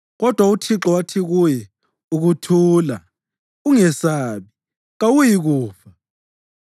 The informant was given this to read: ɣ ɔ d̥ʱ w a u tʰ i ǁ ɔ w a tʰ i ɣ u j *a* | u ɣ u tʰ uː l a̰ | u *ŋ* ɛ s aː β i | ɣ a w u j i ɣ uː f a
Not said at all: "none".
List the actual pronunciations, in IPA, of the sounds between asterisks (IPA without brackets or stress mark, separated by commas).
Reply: ɛ, ŋ